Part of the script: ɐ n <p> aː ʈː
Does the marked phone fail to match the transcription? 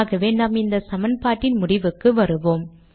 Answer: no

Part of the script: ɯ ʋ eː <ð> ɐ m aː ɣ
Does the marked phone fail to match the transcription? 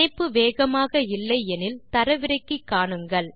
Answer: yes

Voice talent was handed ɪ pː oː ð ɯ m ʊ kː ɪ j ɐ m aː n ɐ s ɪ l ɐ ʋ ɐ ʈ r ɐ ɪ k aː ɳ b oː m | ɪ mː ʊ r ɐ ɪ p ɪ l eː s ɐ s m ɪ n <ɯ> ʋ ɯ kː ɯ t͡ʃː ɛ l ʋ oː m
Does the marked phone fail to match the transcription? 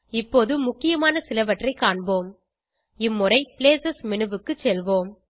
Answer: no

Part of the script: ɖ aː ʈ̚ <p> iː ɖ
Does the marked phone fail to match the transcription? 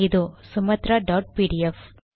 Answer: no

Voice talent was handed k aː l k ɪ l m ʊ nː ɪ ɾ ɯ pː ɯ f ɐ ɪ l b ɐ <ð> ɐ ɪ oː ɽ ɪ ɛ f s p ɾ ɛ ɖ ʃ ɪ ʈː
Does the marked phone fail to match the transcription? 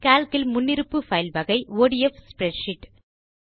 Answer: yes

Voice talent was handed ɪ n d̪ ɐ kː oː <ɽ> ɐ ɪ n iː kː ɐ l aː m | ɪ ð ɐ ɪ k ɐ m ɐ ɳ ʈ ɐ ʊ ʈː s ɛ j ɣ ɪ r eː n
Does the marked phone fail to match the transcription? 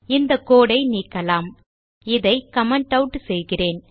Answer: no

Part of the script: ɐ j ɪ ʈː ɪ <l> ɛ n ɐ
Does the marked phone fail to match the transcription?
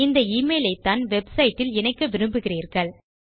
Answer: no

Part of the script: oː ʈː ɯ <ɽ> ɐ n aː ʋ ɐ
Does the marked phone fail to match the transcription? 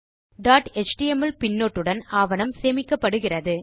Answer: no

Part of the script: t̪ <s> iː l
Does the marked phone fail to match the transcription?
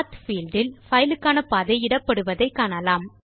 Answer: yes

